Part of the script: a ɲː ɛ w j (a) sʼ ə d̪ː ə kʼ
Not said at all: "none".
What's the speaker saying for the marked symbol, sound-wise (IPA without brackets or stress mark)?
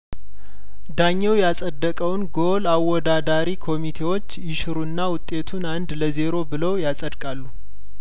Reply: a